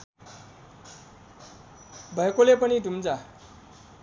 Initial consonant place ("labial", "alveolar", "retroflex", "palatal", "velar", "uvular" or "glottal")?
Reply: labial